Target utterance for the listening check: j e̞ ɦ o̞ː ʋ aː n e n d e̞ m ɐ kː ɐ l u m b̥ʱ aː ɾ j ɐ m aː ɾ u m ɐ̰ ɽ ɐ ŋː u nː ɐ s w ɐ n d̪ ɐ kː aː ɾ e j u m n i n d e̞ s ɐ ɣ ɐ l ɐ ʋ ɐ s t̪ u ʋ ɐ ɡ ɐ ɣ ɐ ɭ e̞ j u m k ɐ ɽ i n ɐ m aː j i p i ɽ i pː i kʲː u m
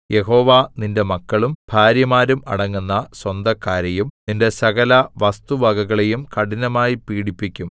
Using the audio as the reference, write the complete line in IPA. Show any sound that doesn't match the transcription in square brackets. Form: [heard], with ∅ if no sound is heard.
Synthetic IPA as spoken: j e̞ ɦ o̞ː ʋ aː n [i] n d e̞ m ɐ kː ɐ [ɭ] u m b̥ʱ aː ɾ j ɐ m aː ɾ u m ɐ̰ ɽ ɐ ŋː u nː ɐ s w ɐ n d̪ ɐ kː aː ɾ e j u m n i n d e̞ s ɐ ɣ ɐ l ɐ ʋ ɐ s t̪ u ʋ ɐ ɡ ɐ ɣ ɐ ɭ e̞ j u m k ɐ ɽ i n ɐ m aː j i p [iː] ɽ i pː i kʲː u m